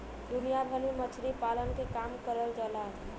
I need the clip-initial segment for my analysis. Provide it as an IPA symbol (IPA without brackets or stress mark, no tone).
d̪